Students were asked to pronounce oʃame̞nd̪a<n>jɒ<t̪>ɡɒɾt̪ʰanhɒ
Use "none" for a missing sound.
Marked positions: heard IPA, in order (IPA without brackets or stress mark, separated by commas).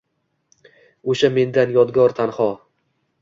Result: n, d̪